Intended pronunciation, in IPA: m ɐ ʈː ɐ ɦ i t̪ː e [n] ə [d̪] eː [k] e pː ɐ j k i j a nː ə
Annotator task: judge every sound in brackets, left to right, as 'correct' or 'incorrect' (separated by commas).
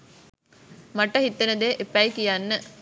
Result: correct, correct, incorrect